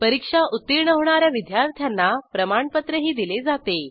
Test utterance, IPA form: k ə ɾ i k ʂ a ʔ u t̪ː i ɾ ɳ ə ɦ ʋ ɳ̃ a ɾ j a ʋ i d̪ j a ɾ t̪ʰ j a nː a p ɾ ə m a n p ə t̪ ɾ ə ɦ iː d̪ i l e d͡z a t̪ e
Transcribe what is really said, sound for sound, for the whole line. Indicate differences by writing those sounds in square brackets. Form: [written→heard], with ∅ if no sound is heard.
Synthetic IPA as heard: [k→p] ə ɾ i k ʂ a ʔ u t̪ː i ɾ ɳ ə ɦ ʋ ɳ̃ a ɾ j a ʋ i d̪ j a ɾ t̪ʰ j a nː a p ɾ ə m a [n→ɳ] p ə t̪ ɾ ə ɦ iː d̪ i l e d͡z a t̪ e

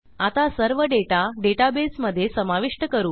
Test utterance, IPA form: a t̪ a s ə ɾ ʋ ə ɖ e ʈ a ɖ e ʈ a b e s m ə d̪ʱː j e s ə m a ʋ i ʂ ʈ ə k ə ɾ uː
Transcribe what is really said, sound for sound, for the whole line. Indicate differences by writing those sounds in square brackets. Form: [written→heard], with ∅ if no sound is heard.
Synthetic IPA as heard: a t̪ a s ə ɾ ʋ ə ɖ e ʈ a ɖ e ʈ a b e s m ə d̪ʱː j e s ə m a ʋ i ʂ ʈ ə k ə ɾ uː

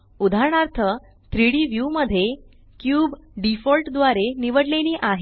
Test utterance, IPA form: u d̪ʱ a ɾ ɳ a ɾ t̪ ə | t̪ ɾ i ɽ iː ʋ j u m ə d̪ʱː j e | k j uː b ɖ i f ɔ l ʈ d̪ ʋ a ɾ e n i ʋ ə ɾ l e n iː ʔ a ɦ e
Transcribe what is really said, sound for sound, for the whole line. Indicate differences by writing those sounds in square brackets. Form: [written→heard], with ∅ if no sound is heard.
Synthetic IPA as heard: u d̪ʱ a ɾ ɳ a ɾ [t̪→t̪ʰ] ə | t̪ ɾ i ɽ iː ʋ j u m ə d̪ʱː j e | k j uː b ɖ i f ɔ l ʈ d̪ ʋ a ɾ e n i ʋ ə [ɾ→ɽ] l e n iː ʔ a ɦ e

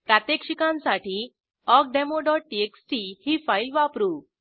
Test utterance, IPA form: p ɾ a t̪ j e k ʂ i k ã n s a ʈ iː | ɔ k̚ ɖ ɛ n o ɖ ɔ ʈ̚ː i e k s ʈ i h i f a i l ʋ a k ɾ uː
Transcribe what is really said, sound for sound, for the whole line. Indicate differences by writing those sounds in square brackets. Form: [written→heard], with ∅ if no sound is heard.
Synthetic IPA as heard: p ɾ a t̪ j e k ʂ i k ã n s a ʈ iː | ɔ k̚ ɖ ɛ [n→m] o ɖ ɔ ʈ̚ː i e k s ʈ i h i f a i l ʋ a [k→p] ɾ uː

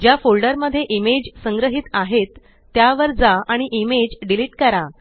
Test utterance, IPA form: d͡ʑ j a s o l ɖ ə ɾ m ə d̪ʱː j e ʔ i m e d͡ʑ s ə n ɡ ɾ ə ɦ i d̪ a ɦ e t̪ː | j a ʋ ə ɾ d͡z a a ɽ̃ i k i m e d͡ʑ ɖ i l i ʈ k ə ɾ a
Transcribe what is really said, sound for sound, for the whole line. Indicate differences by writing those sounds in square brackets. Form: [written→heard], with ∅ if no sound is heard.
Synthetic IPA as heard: d͡ʑ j a [s→f] o l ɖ ə ɾ m ə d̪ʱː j e ʔ i m e d͡ʑ s ə [n→ŋ] ɡ ɾ ə ɦ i [d̪→t̪] a ɦ e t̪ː | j a ʋ ə ɾ d͡z a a ɽ̃ i [k→ʔ] i m e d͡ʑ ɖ i l i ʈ k ə ɾ a

